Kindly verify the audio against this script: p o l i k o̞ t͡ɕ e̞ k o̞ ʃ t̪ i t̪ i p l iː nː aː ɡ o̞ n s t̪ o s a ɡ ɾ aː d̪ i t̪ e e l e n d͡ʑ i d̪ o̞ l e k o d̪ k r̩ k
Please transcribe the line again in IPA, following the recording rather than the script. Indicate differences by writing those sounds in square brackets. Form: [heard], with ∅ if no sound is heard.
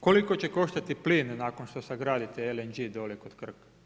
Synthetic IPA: [k] o l i k o̞ t͡ɕ e̞ k o̞ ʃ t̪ [a] t̪ i p l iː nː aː [k] o̞ n [ʃ] t̪ o s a ɡ ɾ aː d̪ i t̪ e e l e n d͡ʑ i d̪ o̞ l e k o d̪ k r̩ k